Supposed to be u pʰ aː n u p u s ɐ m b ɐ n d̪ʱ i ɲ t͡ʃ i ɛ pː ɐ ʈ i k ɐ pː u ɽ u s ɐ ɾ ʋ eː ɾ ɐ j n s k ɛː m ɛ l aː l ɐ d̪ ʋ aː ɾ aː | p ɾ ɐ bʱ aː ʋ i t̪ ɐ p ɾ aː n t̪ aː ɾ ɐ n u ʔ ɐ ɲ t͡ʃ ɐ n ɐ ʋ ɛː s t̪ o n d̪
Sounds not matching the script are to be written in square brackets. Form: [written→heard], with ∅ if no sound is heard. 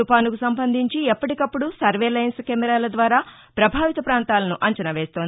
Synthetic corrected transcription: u [pʰ→p] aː n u [p→k] u s ɐ m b ɐ n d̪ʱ i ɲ t͡ʃ i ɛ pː ɐ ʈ i k ɐ pː u ɽ u s ɐ ɾ ʋ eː [ɾ→l] ɐ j n s k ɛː m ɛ [l→ɾ] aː l ɐ d̪ ʋ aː ɾ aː | p ɾ ɐ bʱ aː ʋ i t̪ ɐ p ɾ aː n t̪ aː [ɾ→l] ɐ n u ʔ ɐ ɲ t͡ʃ ɐ n ɐ ʋ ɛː s t̪ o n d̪